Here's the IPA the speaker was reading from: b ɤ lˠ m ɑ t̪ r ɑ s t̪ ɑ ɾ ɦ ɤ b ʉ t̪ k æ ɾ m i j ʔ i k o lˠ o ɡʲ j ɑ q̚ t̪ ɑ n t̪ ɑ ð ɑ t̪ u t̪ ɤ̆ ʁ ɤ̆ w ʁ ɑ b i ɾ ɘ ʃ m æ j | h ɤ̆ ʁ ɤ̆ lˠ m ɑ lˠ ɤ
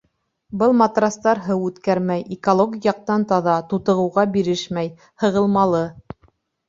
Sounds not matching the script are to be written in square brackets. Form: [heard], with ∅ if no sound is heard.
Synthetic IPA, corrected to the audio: b ɤ lˠ m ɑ t̪ r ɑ s t̪ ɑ ɾ ɦ ɤ [w] ʉ t̪ k æ ɾ m [æ] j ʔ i k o lˠ o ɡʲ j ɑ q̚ t̪ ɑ n t̪ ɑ ð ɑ t̪ u t̪ ɤ̆ ʁ ɤ̆ w ʁ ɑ b i ɾ ɘ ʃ m æ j | h ɤ̆ ʁ ɤ̆ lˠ m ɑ lˠ ɤ